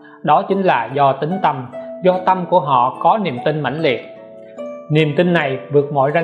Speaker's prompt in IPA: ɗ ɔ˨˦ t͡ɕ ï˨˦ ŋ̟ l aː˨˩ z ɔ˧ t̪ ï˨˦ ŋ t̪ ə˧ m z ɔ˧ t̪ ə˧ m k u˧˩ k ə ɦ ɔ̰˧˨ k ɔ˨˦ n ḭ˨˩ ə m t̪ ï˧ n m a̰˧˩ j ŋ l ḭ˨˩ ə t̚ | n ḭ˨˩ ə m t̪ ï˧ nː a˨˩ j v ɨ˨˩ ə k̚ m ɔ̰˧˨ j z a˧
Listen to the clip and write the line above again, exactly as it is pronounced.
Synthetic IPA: ɗ ɔ˨˦ t͡ɕ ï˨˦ ŋ̟ l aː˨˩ z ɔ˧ t̪ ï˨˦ ŋ t̪ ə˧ m z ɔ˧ t̪ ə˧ m k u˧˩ ə ɦ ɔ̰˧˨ k ɔ˨˦ n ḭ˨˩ ə m t̪ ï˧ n m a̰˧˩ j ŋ l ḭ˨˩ ə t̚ | n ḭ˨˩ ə m t̪ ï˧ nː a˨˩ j v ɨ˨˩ ə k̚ m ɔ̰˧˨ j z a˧